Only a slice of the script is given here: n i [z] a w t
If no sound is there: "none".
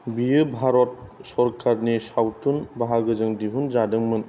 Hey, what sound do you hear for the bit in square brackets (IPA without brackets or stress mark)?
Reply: s